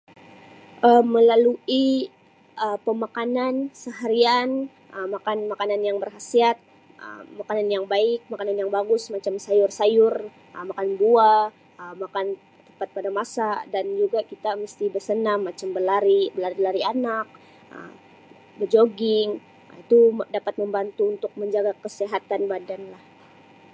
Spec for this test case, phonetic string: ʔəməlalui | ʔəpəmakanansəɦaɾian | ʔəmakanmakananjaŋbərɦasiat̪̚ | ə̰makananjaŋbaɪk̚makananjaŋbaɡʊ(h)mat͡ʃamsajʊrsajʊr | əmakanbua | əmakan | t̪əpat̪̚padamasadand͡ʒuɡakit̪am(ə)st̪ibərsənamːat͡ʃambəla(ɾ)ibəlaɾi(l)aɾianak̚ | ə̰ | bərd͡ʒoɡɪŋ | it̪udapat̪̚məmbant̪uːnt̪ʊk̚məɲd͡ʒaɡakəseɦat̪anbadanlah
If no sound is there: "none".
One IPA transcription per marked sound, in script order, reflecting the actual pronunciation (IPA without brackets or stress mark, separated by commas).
s, ə, ɾ, l